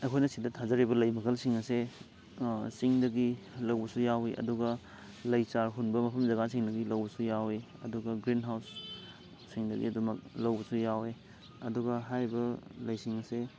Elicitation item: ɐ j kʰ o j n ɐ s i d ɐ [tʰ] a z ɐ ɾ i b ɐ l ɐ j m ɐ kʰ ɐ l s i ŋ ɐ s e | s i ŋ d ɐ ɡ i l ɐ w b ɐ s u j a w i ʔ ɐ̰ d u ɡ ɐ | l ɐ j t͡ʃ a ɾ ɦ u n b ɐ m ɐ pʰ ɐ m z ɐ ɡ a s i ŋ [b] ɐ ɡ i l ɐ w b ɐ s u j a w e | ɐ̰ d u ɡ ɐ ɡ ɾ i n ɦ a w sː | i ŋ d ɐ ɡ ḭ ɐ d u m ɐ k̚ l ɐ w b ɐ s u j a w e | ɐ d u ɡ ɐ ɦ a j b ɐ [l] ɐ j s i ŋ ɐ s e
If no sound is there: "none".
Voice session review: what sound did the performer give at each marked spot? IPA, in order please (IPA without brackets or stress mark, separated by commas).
tʰ, d, l